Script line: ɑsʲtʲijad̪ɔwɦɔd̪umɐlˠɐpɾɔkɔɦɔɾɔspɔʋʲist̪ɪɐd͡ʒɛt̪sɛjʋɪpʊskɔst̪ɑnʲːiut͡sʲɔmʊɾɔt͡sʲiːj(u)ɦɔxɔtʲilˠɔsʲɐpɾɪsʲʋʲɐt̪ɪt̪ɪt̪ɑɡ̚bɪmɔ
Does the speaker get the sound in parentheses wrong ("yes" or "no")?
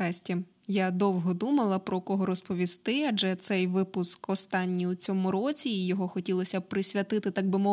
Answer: yes